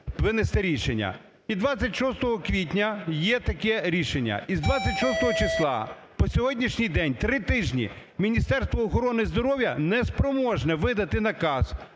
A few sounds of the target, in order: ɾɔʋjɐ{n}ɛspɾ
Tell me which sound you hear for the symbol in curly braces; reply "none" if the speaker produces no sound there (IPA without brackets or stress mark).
n